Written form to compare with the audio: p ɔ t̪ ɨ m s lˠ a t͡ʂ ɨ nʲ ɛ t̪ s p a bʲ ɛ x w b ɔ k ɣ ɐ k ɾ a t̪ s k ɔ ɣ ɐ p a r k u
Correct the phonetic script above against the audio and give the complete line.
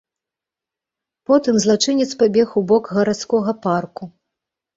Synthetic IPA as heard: p ɔ t̪ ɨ m z lˠ a t͡ʂ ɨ nʲ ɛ t̪ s p a bʲ ɛ x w b ɔ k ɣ ɐ ɾ a t̪ s k ɔ ɣ ɐ p a r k u